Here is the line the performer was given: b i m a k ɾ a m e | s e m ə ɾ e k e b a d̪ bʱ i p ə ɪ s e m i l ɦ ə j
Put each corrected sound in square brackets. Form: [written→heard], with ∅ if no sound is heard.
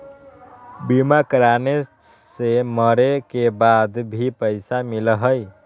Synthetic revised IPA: b i m a k ɾ a [m→n] e | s e m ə ɾ e k e b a d̪ bʱ i p ə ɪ s [e→a] m i l ɦ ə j